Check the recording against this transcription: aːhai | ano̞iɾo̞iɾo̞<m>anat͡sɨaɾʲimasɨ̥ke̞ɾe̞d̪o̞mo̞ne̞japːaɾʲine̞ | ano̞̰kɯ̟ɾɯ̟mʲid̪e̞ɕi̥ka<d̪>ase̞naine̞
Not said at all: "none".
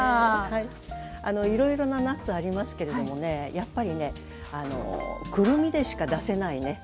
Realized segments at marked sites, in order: n, d̪

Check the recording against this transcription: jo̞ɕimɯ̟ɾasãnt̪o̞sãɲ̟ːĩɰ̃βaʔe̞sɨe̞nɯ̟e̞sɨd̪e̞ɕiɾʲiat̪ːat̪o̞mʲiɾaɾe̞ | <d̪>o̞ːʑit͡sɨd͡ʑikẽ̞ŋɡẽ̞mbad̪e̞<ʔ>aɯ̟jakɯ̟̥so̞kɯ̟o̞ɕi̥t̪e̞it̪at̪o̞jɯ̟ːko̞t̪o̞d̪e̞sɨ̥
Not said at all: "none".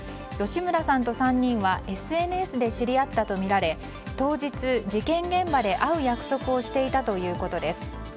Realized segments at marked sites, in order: t̪, ʔ

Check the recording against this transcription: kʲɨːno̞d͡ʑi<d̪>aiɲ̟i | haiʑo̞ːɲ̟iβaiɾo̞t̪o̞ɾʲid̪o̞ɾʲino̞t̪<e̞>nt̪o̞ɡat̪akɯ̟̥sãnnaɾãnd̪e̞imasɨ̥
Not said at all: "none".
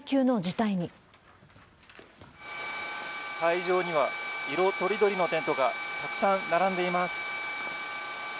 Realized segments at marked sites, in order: t̪, ẽ̞

